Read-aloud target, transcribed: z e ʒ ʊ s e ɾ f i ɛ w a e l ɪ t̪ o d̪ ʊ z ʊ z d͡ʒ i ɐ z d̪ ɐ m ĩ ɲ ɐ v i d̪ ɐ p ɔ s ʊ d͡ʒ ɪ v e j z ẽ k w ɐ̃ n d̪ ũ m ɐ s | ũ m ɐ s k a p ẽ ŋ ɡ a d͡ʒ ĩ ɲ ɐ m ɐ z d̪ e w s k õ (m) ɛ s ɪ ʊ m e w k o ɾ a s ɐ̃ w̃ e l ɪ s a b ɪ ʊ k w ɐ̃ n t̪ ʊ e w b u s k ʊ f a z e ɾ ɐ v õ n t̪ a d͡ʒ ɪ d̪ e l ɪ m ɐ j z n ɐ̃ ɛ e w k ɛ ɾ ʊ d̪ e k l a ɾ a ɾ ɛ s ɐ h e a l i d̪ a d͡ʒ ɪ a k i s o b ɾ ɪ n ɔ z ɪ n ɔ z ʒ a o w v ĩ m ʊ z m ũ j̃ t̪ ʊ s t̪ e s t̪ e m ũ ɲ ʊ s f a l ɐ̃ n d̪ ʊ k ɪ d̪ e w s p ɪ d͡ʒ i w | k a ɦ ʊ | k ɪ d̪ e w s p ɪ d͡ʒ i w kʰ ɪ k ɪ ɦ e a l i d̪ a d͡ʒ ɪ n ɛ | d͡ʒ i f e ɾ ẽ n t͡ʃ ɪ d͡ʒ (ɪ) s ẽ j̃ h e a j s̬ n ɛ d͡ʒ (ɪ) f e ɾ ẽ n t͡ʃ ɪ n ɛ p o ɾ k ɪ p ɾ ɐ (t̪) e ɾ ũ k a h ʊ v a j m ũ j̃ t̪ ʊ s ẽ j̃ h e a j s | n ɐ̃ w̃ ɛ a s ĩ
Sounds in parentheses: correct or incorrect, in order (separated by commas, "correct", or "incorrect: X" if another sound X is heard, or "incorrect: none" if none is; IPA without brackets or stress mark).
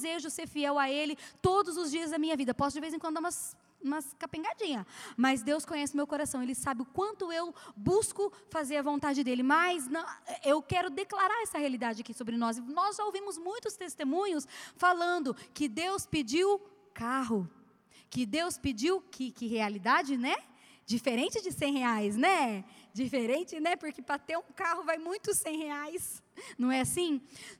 incorrect: ɲ, correct, incorrect: i, correct